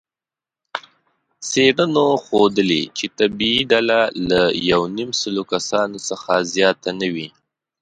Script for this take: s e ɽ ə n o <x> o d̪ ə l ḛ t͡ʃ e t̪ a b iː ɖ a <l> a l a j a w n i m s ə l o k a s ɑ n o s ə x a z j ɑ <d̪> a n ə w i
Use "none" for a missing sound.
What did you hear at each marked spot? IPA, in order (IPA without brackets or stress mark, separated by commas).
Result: x, l, t̪